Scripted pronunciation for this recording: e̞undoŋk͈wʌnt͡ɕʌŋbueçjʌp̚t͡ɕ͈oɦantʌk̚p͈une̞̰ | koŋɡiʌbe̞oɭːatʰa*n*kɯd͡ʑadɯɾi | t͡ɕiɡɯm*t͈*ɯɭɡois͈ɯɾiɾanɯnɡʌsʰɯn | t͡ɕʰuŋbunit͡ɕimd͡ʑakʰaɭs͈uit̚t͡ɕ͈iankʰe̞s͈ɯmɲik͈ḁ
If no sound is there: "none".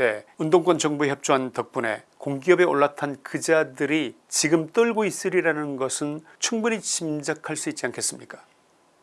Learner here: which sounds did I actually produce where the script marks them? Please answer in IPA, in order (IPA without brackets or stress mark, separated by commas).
n, t͈